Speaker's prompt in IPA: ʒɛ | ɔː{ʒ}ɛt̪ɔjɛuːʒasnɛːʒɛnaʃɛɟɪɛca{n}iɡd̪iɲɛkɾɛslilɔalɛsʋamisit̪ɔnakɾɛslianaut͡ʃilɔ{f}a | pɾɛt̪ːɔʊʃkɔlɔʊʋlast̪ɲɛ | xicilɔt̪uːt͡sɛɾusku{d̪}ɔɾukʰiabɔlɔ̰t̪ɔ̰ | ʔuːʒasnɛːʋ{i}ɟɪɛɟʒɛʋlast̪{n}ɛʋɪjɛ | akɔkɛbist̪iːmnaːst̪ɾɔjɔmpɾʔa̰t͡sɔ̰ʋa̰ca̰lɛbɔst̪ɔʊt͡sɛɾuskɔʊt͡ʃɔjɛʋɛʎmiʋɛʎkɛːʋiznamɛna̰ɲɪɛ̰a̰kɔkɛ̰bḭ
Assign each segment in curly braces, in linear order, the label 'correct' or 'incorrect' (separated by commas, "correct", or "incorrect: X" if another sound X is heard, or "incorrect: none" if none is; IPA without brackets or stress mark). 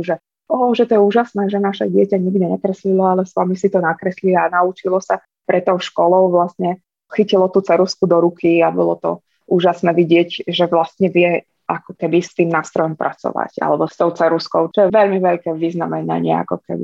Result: correct, incorrect: ɲ, incorrect: s, correct, correct, incorrect: ɲ